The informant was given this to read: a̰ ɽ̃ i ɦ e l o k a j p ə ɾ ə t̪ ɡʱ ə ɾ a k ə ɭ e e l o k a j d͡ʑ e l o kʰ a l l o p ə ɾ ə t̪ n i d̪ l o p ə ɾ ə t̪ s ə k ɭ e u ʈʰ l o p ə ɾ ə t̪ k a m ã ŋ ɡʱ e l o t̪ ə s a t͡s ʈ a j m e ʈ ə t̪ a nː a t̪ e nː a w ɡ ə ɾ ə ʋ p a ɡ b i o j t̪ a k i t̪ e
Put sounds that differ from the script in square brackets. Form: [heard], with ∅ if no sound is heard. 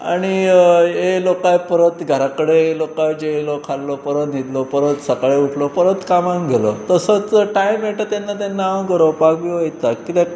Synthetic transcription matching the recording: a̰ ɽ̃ i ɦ e l o k a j p ə ɾ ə t̪ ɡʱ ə ɾ a k ə [ɽ] e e l o k a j d͡ʑ e l o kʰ a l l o p ə ɾ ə t̪ n i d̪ l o p ə ɾ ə t̪ s ə k ɭ e u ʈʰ l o p ə ɾ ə t̪ k a m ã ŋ ɡʱ e l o t̪ ə s [ə] t͡s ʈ a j m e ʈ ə t̪ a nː a t̪ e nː a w ɡ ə ɾ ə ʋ p a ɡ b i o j t̪ a k i t̪ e